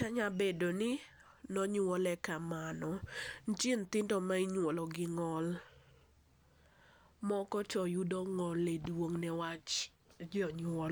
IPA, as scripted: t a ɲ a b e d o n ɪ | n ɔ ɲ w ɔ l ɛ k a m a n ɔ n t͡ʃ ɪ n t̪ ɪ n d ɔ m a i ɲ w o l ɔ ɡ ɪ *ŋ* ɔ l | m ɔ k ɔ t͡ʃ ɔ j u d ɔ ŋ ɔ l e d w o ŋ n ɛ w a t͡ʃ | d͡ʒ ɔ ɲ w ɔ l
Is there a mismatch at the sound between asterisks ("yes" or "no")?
no